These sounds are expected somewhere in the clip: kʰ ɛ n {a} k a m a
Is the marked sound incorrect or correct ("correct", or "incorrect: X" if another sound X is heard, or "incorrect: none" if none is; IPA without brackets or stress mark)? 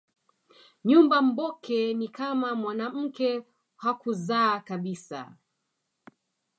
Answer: incorrect: i